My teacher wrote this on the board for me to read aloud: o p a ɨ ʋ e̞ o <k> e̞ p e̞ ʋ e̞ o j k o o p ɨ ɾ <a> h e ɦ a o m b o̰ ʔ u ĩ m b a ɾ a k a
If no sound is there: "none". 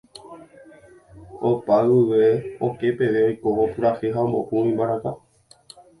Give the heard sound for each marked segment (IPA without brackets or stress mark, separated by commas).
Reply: k, a